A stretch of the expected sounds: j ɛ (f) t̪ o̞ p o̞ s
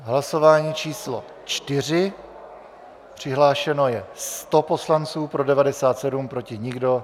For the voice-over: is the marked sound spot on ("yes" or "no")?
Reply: no